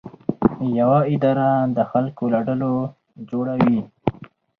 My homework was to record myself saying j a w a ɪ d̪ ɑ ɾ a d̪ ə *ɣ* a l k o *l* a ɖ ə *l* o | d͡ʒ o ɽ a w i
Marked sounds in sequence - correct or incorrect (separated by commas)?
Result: incorrect, correct, correct